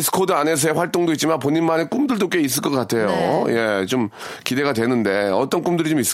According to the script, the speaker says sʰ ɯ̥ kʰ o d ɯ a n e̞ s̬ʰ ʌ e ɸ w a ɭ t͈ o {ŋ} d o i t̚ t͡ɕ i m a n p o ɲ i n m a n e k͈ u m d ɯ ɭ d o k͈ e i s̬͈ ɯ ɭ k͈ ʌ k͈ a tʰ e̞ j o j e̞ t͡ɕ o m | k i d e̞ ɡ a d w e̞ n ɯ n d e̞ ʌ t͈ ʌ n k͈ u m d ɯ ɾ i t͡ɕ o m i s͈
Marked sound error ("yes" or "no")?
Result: no